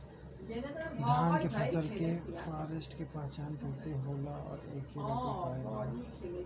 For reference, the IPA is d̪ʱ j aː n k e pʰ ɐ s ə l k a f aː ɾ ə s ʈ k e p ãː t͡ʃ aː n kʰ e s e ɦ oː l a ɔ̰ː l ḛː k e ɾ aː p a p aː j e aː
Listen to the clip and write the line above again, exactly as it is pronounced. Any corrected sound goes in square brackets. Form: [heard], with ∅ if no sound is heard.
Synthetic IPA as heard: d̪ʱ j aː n k e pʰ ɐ s ə l k [e] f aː ɾ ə s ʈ k e p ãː t͡ʃ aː n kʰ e s e ɦ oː l a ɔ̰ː [ɾ] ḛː k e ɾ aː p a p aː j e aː